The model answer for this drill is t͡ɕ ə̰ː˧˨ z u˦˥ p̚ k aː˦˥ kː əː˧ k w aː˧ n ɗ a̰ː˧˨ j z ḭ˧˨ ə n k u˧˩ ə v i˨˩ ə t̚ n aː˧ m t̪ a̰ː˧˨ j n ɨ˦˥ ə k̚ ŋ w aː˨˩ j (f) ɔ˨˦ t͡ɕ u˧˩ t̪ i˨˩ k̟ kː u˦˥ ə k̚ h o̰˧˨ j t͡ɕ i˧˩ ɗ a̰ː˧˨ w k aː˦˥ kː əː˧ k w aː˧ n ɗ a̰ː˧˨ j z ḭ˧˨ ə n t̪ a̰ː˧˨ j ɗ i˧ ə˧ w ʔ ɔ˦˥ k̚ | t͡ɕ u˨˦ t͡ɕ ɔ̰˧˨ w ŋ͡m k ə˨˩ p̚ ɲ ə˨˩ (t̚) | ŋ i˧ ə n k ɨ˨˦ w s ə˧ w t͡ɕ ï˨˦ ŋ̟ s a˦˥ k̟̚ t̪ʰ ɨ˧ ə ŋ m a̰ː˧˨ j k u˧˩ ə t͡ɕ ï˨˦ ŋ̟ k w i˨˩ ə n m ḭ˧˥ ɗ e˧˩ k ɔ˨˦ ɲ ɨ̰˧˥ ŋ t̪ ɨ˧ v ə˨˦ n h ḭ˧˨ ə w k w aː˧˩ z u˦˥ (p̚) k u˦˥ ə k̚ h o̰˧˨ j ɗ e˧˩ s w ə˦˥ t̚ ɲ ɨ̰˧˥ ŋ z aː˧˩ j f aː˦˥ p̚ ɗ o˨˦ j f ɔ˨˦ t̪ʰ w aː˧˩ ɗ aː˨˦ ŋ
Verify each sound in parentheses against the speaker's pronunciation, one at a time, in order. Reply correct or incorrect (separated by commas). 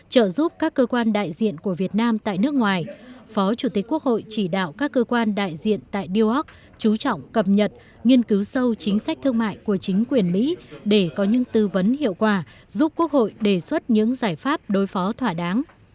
correct, correct, correct